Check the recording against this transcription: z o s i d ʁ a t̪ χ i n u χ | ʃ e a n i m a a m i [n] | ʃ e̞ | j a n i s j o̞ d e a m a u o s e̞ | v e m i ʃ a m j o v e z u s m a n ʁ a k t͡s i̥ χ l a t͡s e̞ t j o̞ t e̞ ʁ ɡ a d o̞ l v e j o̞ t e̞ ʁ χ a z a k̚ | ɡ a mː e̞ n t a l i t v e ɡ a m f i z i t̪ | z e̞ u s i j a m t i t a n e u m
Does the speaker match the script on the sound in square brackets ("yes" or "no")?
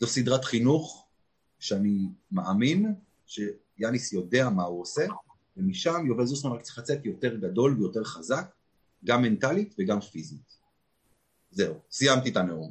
yes